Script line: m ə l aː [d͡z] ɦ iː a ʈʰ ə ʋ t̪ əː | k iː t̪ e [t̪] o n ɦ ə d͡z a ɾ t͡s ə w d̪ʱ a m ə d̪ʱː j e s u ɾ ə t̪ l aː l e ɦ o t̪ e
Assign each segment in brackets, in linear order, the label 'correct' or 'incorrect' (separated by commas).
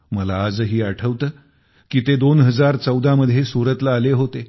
correct, incorrect